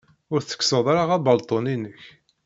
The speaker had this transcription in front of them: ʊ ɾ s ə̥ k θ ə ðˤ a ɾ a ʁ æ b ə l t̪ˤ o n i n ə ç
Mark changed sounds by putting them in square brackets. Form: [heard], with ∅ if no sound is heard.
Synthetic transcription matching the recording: ʊ ɾ [θ] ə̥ k [s] ə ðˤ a ɾ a ʁ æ b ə l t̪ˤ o n i n ə ç